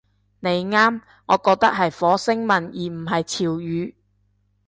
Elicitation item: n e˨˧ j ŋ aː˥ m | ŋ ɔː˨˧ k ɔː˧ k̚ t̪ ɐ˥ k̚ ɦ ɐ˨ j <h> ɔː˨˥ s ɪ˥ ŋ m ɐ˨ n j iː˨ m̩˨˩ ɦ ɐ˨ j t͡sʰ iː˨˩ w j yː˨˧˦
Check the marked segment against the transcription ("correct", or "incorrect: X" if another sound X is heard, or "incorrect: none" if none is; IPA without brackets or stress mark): incorrect: f